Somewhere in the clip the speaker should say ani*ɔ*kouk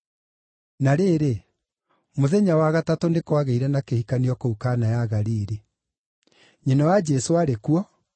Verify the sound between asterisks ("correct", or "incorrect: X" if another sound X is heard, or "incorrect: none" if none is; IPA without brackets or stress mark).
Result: correct